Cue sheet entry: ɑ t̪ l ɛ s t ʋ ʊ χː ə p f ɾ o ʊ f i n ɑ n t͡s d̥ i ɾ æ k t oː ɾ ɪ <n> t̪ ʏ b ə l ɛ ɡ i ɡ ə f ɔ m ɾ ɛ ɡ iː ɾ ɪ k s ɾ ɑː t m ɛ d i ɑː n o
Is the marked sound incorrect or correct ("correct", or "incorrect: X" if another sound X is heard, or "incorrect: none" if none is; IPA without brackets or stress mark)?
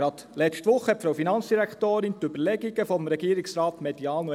correct